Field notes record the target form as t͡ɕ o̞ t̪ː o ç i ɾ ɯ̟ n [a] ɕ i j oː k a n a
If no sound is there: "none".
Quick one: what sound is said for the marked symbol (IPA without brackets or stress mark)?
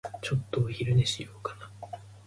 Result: e